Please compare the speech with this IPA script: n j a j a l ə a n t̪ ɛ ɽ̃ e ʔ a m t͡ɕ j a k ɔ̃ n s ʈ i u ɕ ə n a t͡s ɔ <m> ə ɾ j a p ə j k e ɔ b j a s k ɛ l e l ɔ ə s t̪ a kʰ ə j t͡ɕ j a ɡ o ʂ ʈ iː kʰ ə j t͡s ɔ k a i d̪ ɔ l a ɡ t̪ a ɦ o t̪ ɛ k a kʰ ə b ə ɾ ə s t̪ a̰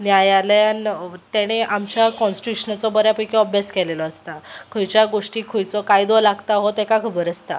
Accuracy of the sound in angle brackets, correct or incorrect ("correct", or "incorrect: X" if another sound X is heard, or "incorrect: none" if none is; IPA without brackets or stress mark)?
incorrect: b